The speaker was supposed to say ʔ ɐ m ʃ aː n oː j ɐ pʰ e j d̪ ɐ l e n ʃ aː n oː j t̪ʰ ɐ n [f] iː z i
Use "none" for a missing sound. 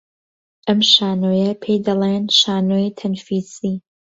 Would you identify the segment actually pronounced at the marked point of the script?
f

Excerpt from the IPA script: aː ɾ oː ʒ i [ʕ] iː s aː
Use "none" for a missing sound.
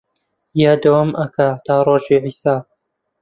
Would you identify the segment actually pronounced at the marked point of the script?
ʕ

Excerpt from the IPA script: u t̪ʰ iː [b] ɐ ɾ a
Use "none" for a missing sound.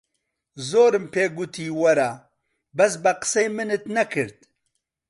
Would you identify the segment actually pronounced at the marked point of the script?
w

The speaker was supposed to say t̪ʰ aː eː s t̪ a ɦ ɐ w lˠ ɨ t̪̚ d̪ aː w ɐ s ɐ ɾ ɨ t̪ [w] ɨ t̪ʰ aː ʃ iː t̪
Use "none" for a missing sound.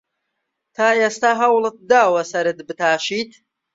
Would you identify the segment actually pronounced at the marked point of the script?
b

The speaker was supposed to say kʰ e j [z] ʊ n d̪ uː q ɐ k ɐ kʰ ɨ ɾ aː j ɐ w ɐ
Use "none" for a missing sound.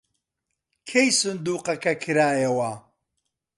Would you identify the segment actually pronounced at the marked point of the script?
s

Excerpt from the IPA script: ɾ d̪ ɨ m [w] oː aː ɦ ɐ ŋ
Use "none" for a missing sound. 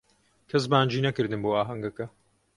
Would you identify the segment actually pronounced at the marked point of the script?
b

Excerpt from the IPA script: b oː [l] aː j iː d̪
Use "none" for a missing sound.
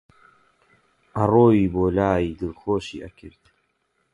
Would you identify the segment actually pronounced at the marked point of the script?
l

